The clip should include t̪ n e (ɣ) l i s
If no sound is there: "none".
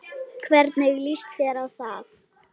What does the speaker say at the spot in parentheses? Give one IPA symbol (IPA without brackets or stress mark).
ɣ